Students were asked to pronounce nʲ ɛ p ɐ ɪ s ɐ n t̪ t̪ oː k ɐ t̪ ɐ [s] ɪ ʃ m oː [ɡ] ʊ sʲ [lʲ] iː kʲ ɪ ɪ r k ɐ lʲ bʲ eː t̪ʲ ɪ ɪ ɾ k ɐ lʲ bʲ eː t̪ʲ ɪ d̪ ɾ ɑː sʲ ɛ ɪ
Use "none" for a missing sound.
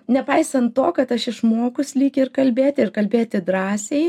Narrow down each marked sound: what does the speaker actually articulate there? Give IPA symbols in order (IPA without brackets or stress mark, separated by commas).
ʃ, k, lʲ